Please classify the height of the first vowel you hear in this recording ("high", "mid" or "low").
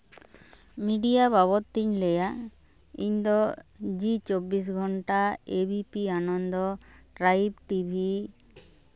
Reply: high